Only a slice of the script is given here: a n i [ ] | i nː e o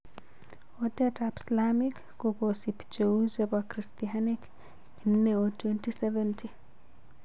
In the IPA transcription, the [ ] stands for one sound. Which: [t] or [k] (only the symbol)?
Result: k